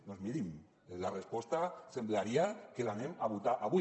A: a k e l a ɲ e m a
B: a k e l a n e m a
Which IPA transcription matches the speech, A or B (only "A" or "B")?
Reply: B